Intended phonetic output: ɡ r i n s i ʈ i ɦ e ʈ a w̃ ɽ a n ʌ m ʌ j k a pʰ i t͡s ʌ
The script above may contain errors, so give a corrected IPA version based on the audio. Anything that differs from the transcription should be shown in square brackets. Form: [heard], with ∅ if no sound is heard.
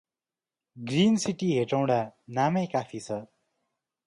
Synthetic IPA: ɡ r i n s i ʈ i ɦ e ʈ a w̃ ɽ a n [a] m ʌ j k a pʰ i [t͡sʰ] ʌ